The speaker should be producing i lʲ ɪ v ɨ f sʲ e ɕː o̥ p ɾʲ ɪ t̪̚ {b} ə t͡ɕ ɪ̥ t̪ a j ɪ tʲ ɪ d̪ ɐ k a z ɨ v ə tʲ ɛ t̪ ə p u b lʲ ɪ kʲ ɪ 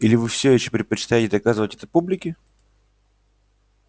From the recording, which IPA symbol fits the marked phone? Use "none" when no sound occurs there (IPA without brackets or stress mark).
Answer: p